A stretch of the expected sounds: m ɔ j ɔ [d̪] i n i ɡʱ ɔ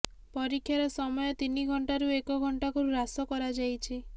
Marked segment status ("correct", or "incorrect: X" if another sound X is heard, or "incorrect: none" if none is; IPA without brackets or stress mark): incorrect: t̪